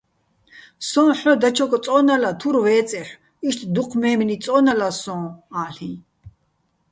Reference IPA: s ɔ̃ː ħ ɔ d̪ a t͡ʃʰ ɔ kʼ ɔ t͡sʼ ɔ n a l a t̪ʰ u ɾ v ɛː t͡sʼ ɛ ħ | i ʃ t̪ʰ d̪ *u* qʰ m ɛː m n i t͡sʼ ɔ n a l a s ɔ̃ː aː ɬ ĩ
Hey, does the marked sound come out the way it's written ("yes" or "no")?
yes